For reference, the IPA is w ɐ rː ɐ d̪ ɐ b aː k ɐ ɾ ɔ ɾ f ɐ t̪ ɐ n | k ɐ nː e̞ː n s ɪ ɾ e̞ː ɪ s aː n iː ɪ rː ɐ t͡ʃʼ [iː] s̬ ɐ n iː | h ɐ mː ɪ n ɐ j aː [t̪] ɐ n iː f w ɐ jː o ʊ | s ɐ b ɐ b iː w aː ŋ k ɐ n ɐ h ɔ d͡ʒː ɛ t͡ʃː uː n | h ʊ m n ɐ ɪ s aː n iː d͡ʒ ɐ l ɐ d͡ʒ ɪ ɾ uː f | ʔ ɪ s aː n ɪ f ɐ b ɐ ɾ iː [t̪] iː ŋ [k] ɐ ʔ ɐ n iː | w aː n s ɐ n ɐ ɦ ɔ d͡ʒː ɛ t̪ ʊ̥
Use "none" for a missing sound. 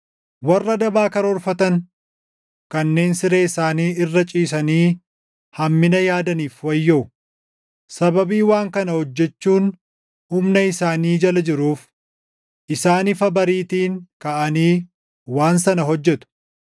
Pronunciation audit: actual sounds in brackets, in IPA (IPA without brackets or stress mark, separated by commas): iː, d̪, t̪, k